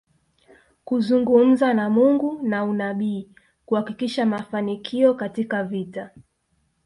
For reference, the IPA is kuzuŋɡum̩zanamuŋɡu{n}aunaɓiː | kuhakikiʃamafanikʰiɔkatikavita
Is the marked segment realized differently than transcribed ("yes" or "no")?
no